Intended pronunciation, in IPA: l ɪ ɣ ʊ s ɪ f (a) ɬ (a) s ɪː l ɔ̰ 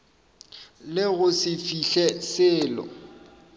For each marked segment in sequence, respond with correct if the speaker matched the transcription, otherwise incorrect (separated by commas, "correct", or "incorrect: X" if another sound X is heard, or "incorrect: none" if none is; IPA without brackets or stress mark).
incorrect: i, incorrect: ɛ